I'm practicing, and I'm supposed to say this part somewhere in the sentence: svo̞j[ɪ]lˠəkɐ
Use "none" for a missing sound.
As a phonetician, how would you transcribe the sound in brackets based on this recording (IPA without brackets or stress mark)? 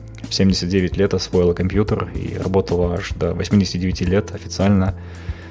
ɪ